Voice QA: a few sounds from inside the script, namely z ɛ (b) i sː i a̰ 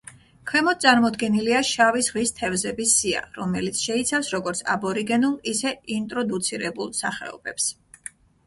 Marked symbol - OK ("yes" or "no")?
yes